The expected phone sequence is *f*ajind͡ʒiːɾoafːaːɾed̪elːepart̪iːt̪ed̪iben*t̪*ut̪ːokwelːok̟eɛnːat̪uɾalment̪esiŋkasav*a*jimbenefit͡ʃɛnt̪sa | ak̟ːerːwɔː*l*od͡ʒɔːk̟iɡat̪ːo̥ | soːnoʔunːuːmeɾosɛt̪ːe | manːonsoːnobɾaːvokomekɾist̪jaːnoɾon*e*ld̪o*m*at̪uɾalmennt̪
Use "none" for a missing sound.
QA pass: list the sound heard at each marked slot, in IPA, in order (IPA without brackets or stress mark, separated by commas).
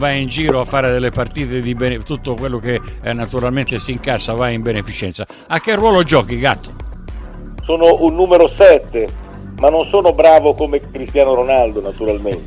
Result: v, t̪, a, l, a, n